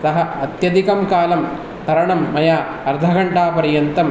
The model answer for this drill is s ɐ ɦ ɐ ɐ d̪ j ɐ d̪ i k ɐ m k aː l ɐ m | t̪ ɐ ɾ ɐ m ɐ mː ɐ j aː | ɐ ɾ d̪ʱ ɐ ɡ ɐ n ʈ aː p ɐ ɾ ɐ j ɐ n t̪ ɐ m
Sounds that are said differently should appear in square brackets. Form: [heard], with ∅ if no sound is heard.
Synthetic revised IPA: s ɐ ɦ ɐ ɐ [t̪] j ɐ d̪ i k ɐ m k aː l ɐ m | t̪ ɐ ɾ ɐ [ɳ] ɐ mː ɐ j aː | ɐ ɾ d̪ʱ ɐ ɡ ɐ [ɳ] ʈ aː p ɐ ɾ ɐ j ɐ n t̪ ɐ m